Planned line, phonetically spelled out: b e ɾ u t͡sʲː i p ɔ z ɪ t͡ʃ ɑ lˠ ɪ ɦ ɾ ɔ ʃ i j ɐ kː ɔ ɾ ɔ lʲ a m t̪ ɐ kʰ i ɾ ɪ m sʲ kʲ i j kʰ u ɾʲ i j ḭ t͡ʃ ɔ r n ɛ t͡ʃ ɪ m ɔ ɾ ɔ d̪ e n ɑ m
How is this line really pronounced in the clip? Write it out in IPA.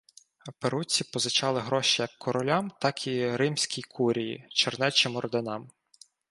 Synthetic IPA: p e ɾ u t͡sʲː i p ɔ z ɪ t͡ʃ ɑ lˠ ɪ ɦ ɾ ɔ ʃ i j ɐ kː ɔ ɾ ɔ lʲ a m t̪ ɑ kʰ i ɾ ɪ m sʲ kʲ i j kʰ u ɾʲ i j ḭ t͡ʃ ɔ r n ɛ t͡ʃ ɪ m ɔ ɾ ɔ d̪ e n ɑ m